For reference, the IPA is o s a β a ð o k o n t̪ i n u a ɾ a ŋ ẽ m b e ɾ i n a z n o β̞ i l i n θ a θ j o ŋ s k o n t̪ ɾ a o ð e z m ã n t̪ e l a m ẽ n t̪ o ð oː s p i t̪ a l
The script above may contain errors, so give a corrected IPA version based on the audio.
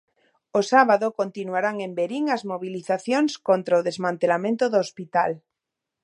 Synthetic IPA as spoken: o s a β a ð o k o n t̪ i n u a ɾ a ŋ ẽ m b e ɾ i ŋ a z m o β̞ i l i θ a θ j o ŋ s k o n t̪ ɾ a o ð e z m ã n t̪ e l a m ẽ n t̪ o ð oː s p i t̪ a l